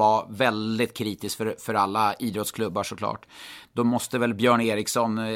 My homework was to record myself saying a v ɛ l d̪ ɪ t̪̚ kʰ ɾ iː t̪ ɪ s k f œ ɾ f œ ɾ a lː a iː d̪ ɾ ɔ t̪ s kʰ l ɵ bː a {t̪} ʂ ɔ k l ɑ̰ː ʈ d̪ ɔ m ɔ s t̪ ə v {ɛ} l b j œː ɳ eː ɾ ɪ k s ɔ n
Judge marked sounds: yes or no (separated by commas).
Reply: no, yes